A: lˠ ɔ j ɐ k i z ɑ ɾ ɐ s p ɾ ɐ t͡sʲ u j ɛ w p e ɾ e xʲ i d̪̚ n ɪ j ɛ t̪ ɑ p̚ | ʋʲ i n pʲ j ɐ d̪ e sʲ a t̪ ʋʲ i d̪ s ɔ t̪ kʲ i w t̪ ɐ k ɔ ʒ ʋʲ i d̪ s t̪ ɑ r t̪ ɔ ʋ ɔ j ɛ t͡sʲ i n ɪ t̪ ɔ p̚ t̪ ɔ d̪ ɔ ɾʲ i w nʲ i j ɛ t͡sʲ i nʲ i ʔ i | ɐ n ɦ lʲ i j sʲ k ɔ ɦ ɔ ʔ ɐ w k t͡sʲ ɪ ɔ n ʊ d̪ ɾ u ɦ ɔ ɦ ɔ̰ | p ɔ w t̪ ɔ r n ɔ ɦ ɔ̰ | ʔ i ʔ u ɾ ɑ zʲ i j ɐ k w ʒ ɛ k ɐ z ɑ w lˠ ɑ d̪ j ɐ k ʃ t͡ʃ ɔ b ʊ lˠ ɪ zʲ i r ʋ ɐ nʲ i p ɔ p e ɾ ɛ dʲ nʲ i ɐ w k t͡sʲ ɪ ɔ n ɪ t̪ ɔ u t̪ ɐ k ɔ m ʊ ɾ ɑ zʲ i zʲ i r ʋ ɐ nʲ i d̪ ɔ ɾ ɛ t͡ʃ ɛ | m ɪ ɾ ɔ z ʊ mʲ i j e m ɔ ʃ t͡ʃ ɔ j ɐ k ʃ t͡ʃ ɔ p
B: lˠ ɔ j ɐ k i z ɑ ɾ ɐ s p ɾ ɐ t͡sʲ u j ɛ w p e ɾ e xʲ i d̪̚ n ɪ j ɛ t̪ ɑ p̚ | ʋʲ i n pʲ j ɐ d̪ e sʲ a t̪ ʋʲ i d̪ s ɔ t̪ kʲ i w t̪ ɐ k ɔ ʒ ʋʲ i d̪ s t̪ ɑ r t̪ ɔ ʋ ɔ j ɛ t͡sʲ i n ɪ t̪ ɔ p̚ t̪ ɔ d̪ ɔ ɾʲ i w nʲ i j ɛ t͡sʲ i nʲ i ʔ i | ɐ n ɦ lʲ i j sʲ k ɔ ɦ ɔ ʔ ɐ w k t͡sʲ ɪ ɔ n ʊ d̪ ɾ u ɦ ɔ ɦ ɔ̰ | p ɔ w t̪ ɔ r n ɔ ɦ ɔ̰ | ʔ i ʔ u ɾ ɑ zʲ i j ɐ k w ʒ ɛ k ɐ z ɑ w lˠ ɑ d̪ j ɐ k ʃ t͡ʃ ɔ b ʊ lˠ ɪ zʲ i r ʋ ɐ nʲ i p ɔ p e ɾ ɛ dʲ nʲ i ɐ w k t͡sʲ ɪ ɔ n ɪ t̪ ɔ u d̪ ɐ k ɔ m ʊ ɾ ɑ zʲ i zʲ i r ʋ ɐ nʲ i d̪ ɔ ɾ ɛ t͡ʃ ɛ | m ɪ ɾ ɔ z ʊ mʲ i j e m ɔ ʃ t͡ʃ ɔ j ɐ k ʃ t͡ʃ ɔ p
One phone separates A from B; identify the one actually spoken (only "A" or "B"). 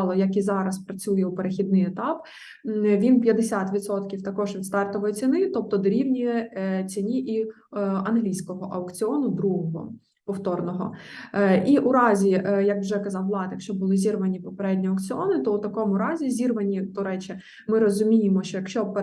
A